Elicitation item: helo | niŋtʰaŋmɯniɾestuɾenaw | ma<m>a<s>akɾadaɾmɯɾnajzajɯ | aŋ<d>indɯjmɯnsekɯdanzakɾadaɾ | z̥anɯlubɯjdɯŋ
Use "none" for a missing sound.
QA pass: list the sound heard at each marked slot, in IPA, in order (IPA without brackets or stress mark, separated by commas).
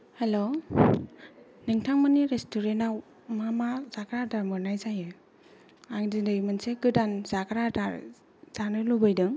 m, z, d